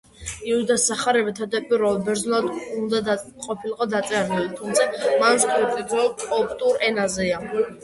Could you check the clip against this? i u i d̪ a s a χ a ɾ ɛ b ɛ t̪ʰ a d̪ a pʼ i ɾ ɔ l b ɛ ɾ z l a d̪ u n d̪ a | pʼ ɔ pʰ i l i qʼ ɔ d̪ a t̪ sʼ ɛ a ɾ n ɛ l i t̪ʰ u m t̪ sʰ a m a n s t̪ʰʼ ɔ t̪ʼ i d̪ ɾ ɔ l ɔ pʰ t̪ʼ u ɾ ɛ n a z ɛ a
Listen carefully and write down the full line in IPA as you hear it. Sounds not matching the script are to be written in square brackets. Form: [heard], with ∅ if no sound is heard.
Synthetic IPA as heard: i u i d̪ a s a χ a ɾ ɛ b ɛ t̪ʰ a d̪ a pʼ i ɾ ɔ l b ɛ ɾ z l a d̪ u n d̪ a | [qʼ] ɔ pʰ i l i qʼ ɔ d̪ a t̪ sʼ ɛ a ɾ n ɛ l i t̪ʰ u m t̪ sʰ a m a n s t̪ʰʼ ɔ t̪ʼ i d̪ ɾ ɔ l ɔ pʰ t̪ʼ u ɾ ɛ n a z ɛ a